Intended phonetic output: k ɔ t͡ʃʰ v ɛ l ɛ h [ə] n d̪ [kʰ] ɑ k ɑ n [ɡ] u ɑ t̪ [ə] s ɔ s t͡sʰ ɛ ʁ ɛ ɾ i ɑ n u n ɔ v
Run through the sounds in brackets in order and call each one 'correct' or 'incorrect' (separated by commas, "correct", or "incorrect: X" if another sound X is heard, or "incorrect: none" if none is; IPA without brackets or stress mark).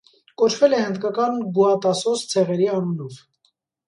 correct, incorrect: k, correct, incorrect: ɑ